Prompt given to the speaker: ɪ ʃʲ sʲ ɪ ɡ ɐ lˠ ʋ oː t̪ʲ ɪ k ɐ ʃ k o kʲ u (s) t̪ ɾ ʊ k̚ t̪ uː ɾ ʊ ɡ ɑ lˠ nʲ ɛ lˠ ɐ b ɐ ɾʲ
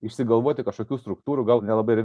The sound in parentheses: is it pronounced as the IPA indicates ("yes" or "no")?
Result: yes